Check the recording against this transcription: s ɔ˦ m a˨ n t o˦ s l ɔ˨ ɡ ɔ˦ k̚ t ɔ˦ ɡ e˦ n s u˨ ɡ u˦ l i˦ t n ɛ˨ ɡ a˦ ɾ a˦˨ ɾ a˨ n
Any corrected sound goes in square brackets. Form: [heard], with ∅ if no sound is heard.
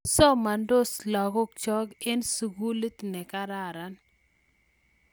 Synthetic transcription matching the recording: s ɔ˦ m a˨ n [d] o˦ s l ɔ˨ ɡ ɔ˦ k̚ [t͡ʃ] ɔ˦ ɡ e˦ n s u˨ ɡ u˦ l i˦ t n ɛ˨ [k] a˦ ɾ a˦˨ ɾ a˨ n